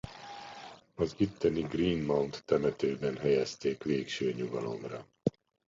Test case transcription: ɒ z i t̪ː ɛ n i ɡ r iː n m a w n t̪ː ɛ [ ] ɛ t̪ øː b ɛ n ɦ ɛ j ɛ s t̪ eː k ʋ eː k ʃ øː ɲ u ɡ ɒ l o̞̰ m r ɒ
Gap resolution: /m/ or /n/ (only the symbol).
m